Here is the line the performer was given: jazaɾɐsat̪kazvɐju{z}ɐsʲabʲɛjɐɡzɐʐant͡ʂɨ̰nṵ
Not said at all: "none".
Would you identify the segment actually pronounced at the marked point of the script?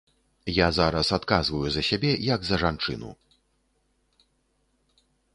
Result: z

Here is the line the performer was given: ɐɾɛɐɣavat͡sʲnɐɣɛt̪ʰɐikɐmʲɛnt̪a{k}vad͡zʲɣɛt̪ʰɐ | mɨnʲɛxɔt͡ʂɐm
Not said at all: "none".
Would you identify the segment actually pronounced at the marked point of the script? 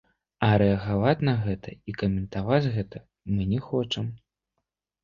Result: none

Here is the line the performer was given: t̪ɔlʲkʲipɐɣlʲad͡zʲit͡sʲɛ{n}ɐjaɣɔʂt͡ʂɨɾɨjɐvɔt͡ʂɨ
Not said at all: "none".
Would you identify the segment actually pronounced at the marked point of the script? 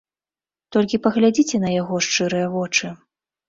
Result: n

